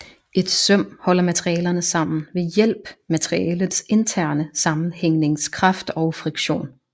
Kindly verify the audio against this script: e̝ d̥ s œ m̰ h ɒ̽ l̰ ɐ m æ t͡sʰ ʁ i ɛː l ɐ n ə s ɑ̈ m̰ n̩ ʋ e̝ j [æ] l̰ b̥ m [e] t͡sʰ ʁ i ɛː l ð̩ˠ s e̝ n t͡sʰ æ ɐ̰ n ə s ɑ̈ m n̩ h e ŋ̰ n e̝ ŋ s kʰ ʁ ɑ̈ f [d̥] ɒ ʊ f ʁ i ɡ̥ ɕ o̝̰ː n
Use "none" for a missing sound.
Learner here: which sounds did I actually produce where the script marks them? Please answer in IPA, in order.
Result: e, æ, d̥

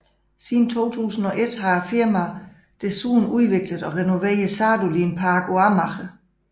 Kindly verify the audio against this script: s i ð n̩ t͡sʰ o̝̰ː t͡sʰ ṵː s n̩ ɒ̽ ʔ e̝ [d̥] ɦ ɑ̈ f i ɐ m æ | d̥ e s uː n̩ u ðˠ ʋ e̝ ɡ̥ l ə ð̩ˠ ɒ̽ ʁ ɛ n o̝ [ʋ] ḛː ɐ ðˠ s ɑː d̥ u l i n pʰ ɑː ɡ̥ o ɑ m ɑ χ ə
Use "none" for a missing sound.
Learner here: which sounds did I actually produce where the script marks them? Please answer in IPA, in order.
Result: d̥, ʋ

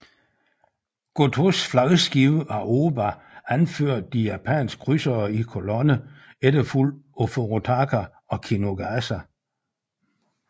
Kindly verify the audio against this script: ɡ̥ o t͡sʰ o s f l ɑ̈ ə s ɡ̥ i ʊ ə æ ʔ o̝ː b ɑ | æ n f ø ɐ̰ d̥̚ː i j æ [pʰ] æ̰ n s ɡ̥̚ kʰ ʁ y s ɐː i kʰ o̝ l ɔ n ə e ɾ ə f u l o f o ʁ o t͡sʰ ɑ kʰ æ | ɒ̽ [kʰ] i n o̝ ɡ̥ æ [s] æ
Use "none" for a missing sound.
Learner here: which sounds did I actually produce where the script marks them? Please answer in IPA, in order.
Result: pʰ, kʰ, s

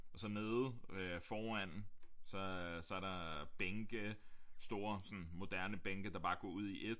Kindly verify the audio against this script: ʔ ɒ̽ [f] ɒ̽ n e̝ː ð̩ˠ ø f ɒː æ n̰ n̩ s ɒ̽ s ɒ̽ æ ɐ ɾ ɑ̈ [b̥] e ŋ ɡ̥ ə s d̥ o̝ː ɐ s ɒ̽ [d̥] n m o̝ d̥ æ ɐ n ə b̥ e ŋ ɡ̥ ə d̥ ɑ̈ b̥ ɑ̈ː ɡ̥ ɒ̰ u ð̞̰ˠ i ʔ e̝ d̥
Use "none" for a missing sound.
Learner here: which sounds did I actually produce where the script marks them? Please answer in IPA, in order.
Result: s, b̥, none

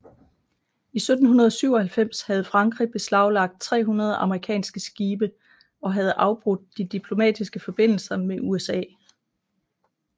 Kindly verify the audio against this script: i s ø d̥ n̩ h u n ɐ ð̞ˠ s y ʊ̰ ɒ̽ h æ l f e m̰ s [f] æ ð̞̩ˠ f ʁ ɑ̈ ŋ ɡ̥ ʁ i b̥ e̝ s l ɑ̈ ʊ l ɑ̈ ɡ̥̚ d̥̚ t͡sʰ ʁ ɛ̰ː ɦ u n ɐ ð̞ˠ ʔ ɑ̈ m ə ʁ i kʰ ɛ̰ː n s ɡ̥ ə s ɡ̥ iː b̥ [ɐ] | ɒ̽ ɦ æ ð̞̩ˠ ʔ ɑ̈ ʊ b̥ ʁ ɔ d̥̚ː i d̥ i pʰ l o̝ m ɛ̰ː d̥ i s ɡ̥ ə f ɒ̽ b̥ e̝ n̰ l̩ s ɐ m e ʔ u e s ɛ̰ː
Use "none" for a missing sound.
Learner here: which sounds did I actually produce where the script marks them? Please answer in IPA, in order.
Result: h, ə

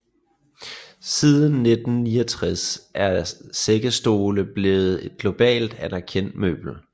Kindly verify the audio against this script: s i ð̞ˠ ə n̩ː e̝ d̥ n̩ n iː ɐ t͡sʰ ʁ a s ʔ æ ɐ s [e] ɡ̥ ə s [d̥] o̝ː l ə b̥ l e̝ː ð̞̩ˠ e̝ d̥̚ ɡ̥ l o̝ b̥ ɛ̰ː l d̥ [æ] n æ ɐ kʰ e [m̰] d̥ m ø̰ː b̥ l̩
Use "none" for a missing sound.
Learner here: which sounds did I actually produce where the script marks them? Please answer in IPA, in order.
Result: e, d̥, æ, n̰

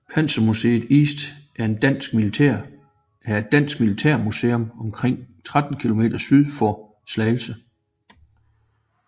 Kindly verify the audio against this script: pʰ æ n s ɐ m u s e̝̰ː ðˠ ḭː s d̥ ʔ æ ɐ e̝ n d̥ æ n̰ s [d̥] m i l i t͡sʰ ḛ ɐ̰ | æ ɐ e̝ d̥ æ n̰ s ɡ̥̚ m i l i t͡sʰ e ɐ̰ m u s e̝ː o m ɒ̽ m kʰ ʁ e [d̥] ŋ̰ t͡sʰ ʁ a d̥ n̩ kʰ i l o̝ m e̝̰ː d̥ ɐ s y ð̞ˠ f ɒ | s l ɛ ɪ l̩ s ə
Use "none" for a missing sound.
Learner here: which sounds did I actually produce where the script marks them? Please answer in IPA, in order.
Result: ɡ̥, none

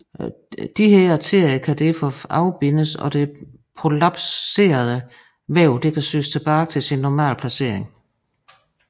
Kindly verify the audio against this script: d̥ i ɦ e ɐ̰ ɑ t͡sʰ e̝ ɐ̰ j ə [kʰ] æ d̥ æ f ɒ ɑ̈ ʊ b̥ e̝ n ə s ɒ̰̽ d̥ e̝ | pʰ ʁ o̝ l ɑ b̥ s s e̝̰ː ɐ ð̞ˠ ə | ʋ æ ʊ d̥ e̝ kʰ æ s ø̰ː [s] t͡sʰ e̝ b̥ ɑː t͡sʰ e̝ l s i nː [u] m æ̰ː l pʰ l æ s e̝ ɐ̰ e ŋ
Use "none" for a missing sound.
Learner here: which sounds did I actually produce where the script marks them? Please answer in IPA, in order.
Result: kʰ, s, ɒ

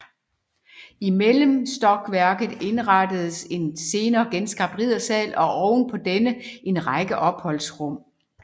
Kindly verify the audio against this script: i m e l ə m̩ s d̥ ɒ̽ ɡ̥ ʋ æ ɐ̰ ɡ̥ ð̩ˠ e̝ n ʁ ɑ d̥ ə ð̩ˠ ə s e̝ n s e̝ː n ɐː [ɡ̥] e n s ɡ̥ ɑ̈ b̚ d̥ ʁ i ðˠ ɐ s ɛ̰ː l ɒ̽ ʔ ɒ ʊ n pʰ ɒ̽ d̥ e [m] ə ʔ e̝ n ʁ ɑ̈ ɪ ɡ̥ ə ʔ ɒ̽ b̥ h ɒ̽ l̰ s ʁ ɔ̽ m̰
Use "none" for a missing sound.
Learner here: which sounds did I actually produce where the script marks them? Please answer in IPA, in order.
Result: ɡ̥, n

